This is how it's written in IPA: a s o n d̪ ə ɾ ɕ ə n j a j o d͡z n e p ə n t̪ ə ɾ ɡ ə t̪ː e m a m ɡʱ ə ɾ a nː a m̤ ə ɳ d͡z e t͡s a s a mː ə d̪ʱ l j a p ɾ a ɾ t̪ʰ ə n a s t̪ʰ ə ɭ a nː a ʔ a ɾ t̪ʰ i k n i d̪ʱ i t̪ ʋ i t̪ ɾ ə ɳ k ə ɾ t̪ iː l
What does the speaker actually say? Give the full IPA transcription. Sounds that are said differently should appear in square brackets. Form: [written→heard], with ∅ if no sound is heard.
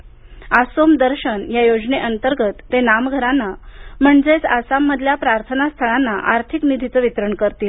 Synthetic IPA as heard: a s o [n→m] d̪ ə ɾ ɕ ə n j a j o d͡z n e [p→ʔ] ə n t̪ ə ɾ ɡ ə t̪ː e [m→n] a m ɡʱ ə ɾ a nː a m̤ ə ɳ d͡z e t͡s a s a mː ə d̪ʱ l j a p ɾ a ɾ t̪ʰ ə n a s t̪ʰ ə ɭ a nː a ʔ a ɾ t̪ʰ i k n i d̪ʱ i t̪ ʋ i t̪ ɾ ə ɳ k ə ɾ t̪ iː l

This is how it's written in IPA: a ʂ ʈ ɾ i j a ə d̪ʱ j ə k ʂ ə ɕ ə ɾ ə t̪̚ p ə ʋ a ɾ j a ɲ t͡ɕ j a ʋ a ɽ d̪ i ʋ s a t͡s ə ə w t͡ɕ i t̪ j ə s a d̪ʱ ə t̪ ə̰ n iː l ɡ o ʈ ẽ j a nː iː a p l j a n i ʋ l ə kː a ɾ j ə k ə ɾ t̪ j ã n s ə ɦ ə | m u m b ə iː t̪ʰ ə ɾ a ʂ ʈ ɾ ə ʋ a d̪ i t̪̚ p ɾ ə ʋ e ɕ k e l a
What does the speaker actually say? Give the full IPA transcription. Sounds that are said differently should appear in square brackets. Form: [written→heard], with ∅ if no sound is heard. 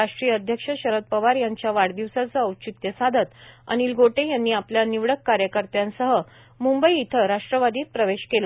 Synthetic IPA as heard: a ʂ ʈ ɾ i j [a→ə] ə d̪ʱ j ə k ʂ ə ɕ ə ɾ ə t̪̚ p ə ʋ a ɾ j a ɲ t͡ɕ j a ʋ a ɽ d̪ i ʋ s a t͡s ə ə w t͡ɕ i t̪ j ə s a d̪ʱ ə t̪ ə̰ n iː l ɡ o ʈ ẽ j a nː iː a p l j a n i ʋ [l→ɽ] ə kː a ɾ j ə k ə ɾ t̪ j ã n s ə ɦ ə | m u m b ə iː t̪ʰ ə ɾ a ʂ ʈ ɾ ə ʋ a d̪ [i→iː] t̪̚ p ɾ ə ʋ e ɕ k e l a

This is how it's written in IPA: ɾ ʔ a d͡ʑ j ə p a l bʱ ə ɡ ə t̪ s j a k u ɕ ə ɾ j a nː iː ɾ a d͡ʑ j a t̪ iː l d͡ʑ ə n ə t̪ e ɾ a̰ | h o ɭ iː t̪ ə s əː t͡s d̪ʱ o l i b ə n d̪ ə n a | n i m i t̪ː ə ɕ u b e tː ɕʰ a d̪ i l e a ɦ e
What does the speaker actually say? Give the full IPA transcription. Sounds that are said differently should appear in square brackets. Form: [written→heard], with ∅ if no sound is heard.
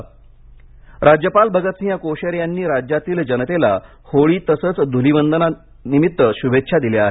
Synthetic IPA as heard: ɾ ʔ a d͡ʑ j ə p a l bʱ ə ɡ ə t̪ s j a k [u→o] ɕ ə ɾ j a nː iː ɾ a d͡ʑ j a t̪ iː l d͡ʑ ə n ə t̪ e [ɾ→l] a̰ | h o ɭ iː t̪ ə s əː t͡s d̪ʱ [o→u] l i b ə n d̪ ə n a | n i m i t̪ː ə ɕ u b e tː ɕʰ a d̪ i l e a ɦ e

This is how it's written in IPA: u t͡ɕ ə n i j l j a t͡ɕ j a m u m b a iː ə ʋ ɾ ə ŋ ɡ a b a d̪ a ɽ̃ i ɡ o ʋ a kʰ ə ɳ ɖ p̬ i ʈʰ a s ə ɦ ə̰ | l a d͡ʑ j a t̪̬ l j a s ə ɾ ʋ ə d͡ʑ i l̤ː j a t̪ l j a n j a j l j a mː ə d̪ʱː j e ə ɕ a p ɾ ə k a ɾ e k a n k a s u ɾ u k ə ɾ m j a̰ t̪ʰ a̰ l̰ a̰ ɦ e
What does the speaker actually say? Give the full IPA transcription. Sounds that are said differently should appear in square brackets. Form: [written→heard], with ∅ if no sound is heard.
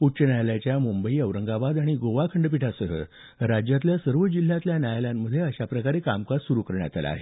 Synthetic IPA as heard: u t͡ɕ ə n [i→a] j l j a t͡ɕ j a m u m b [a→ə] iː ə ʋ ɾ ə ŋ ɡ a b a d̪ a ɽ̃ i ɡ o ʋ a kʰ ə ɳ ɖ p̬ i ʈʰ a s ə ɦ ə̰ | [l→ɾ] a d͡ʑ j a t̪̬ l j a s ə ɾ ʋ ə d͡ʑ i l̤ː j a t̪ l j a n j a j l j a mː ə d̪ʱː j e ə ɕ a p ɾ ə k a ɾ e k a [n→m] k a s u ɾ u k ə ɾ [m→ɳ] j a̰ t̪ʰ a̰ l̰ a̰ ɦ e

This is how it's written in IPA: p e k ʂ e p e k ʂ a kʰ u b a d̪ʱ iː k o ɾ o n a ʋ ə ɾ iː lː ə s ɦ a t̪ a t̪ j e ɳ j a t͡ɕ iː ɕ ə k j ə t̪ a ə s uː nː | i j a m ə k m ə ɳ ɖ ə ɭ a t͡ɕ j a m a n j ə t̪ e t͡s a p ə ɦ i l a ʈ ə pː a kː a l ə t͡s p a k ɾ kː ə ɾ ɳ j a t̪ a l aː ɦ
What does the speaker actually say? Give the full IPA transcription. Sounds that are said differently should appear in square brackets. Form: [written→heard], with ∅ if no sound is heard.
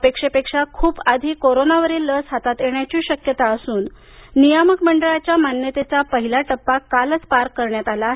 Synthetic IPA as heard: p e k ʂ e p e k ʂ a kʰ [u→uː] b a d̪ʱ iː k o ɾ o n a ʋ ə ɾ iː lː ə s ɦ a t̪ a t̪ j e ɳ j a t͡ɕ iː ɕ ə k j ə t̪ a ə s uː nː | i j a m ə k m ə ɳ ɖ ə ɭ a t͡ɕ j a m a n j ə t̪ e t͡s a p ə ɦ i l a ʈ ə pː a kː a l ə t͡s p a [k→∅] ɾ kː ə ɾ ɳ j a t̪ a l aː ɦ

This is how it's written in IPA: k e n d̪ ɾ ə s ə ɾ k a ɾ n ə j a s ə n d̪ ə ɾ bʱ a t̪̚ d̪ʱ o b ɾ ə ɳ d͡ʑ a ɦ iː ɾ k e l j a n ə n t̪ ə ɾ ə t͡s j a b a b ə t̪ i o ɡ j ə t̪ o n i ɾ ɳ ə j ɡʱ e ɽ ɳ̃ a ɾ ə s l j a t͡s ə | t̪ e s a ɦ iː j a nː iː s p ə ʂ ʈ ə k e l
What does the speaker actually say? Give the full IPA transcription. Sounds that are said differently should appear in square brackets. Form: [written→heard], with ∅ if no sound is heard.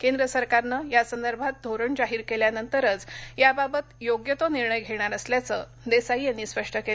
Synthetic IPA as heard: k e n d̪ ɾ ə s ə ɾ k a ɾ n ə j a s ə n d̪ ə ɾ bʱ a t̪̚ d̪ʱ o [b→∅] ɾ ə ɳ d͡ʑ a ɦ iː ɾ k e l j a n ə n t̪ ə ɾ ə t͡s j a b a b ə t̪ [i→j] o ɡ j ə t̪ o n i ɾ ɳ ə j ɡʱ e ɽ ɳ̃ a ɾ ə s l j a t͡s ə | [t̪→d̪] e s a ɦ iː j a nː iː s p ə ʂ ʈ ə k e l

